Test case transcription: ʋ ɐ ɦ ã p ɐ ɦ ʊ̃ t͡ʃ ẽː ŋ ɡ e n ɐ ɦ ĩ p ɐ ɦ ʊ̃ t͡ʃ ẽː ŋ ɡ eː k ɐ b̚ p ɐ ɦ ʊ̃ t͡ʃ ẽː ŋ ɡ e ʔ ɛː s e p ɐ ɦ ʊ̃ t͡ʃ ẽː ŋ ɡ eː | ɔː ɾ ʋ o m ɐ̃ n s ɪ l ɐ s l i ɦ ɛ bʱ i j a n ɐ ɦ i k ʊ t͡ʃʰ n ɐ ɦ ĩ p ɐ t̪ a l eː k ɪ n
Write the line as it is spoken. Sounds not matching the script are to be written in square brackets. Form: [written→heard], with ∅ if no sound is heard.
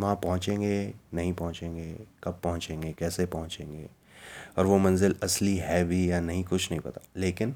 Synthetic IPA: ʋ ɐ ɦ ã p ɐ ɦ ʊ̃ t͡ʃ ẽː ŋ ɡ e n ɐ ɦ ĩ p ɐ ɦ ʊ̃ t͡ʃ ẽː ŋ ɡ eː k ɐ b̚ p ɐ ɦ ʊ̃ t͡ʃ ẽː ŋ ɡ e [ʔ→k] ɛː s e p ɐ ɦ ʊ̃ t͡ʃ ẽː ŋ ɡ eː | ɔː ɾ ʋ o m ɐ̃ n [s→z] ɪ l ɐ s l i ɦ ɛ bʱ i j a n ɐ ɦ [i→ĩ] k ʊ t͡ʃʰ n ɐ ɦ ĩ p ɐ t̪ a l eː k ɪ n